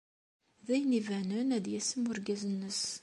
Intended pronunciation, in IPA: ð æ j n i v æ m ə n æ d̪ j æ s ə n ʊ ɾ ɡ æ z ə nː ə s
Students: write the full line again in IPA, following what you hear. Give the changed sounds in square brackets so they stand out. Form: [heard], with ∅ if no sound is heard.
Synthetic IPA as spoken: ð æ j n i v æ [n] ə n æ d̪ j æ s ə [m] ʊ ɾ ɡ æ z ə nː ə s